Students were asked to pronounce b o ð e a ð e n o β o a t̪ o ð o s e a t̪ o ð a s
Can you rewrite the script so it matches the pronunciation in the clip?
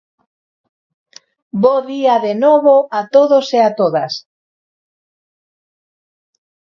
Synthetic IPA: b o ð i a ð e n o β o a t̪ o ð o s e a t̪ o ð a s

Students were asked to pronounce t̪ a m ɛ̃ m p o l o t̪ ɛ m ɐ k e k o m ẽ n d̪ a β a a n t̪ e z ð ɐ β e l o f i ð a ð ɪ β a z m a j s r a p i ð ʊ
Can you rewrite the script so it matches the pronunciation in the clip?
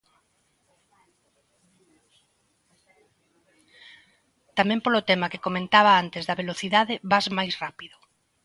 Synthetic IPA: t̪ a m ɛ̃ m p o l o t̪ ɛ m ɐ k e k o m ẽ n t̪ a β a a n t̪ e z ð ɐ β e l o θ i ð a ð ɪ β a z m a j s r a p i ð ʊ

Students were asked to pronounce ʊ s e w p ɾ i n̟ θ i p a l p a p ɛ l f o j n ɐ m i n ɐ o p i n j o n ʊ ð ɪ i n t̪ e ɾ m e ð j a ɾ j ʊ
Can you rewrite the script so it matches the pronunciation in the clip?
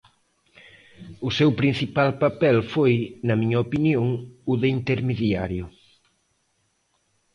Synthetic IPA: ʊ s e w p ɾ i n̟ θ i p a l p a p ɛ l f o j n ɐ m i ɲ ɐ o p i n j o ŋ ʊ ð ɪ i n t̪ e ɾ m e ð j a ɾ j ʊ

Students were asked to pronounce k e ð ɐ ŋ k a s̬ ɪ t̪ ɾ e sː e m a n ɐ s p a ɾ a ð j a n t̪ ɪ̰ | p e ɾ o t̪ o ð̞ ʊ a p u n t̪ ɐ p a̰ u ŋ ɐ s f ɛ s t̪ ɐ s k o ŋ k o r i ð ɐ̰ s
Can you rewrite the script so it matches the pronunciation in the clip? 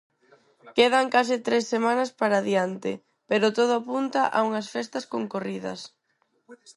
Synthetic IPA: k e ð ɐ ŋ k a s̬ ɪ t̪ ɾ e sː e m a n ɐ s p a ɾ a ð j a n t̪ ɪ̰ | p e ɾ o t̪ o ð̞ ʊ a p u n t̪ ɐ ʔ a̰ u ŋ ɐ s f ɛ s t̪ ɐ s k o ŋ k o r i ð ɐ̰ s

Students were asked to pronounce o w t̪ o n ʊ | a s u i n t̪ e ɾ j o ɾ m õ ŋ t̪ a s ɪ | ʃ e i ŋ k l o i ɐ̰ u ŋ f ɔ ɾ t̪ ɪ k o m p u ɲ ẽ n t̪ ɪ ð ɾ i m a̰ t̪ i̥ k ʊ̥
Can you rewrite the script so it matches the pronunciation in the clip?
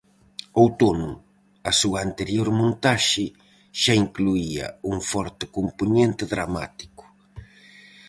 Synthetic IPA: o w t̪ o n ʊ | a s u a n t̪ e ɾ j o ɾ m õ n t̪ a ʃ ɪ | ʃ a i ŋ k l u i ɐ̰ u ŋ f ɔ ɾ t̪ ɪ k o m p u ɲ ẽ n t̪ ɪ ð ɾ a m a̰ t̪ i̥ k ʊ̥

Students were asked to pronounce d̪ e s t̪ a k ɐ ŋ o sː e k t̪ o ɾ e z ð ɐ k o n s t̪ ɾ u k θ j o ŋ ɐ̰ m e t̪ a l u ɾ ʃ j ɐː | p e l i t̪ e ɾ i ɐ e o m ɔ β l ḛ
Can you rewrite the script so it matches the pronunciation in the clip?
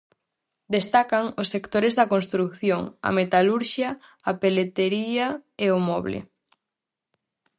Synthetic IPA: d̪ e s t̪ a k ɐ ŋ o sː e k t̪ o ɾ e z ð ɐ k o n s t̪ ɾ u k θ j o ŋ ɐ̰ m e t̪ a l u ɾ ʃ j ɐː | p e l e t̪ e ɾ i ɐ e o m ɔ β l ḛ

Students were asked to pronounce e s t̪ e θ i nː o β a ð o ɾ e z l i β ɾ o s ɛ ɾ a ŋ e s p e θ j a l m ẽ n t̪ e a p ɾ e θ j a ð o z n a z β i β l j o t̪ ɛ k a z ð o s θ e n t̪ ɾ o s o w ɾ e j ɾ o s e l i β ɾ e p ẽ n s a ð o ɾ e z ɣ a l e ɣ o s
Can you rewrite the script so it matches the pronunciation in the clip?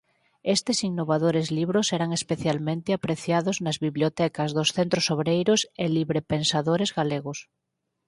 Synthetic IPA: e s t̪ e s i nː o β a ð o ɾ e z l i β ɾ o s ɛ ɾ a ŋ e s p e θ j a l m ẽ n t̪ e a p ɾ e θ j a ð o z n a z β i β l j o t̪ ɛ k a z ð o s θ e n t̪ ɾ o s o β ɾ e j ɾ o s e l i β ɾ e p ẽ n s a ð o ɾ e z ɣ a l e ɣ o s

